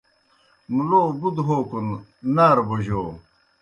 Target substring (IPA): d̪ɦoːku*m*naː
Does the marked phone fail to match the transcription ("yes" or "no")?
yes